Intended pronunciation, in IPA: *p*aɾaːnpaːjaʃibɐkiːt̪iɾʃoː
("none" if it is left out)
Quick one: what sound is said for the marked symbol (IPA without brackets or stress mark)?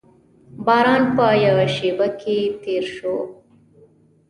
b